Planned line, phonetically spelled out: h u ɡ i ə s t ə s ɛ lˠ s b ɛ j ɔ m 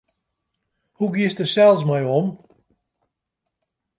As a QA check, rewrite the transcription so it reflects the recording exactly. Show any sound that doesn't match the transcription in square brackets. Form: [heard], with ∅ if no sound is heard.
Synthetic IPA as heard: h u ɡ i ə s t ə s ɛ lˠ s [m] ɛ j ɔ m